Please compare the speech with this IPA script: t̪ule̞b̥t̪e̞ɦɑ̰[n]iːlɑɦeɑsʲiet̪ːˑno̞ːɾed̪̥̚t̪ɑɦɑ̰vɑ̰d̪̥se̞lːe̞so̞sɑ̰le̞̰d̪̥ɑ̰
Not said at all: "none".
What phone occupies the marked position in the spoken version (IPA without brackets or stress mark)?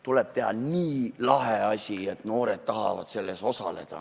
n